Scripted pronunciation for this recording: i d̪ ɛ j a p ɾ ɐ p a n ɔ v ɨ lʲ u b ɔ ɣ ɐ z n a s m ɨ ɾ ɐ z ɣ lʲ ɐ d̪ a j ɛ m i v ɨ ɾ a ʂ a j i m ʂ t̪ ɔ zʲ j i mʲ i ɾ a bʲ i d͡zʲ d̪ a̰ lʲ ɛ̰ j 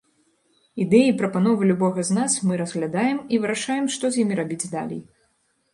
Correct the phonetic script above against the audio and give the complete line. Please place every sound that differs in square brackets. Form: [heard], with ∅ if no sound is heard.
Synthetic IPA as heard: i d̪ ɛ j [i] p ɾ ɐ p a n ɔ v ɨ lʲ u b ɔ ɣ ɐ z n a s m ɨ ɾ ɐ z ɣ lʲ [a] d̪ a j ɛ m i v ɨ ɾ a ʂ a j [ɛ] m ʂ t̪ ɔ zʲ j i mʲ i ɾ a bʲ i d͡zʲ d̪ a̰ lʲ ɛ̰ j